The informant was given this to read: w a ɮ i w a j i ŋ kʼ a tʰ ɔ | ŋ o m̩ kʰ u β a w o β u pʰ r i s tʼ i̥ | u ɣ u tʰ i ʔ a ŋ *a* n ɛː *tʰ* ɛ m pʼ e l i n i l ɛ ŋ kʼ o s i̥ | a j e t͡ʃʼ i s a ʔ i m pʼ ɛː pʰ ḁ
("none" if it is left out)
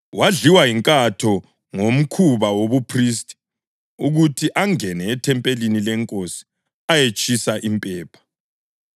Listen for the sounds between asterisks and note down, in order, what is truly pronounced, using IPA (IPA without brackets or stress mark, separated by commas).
ɛ, tʰ